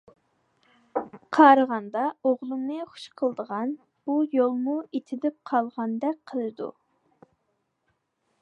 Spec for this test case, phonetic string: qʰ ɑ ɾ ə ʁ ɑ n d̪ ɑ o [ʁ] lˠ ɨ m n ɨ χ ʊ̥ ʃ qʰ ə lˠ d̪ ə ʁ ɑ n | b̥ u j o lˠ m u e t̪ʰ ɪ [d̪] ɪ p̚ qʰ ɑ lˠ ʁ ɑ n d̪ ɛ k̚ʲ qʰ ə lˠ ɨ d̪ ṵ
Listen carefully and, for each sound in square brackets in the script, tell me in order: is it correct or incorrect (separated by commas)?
correct, correct